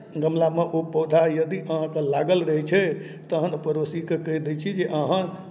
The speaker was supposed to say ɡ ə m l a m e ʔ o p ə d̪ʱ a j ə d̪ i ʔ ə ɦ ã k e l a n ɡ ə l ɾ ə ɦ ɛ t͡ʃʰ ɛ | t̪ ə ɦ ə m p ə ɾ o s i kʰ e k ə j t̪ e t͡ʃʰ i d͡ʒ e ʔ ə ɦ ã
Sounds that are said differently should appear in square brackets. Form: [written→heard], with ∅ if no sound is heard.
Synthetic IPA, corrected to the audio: ɡ ə m l a m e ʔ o p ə d̪ʱ a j ə d̪ i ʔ ə ɦ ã k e l a [n→∅] ɡ ə l ɾ ə ɦ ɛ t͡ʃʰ ɛ | t̪ ə ɦ ə [m→n] p ə ɾ o s i [kʰ→k] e k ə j [t̪→d̪] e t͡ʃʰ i d͡ʒ e ʔ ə ɦ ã